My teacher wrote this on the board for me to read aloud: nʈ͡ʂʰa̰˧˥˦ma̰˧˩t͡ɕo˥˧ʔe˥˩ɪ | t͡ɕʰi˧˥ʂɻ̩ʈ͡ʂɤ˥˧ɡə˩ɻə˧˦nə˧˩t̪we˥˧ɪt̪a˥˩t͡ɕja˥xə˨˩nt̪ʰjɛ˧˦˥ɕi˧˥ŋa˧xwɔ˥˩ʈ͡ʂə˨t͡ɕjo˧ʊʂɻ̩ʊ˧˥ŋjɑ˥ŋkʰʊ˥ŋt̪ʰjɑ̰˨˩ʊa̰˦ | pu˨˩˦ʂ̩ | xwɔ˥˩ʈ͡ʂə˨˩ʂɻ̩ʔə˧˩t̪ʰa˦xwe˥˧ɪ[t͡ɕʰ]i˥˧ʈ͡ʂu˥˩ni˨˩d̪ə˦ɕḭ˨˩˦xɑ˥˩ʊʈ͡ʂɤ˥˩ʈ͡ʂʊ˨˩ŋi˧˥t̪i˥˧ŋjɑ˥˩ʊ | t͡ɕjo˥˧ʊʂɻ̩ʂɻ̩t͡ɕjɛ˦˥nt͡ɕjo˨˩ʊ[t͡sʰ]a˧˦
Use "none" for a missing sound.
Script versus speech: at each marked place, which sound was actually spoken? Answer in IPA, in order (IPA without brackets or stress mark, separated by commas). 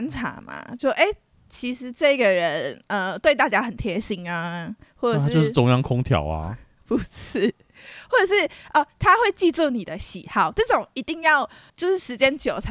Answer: t͡ɕ, t͡sʰ